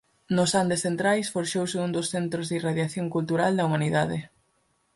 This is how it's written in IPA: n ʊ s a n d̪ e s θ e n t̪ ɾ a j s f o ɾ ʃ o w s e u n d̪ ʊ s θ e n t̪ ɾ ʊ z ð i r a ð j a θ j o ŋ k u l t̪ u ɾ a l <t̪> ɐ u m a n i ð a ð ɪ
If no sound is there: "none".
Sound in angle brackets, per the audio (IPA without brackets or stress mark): d̪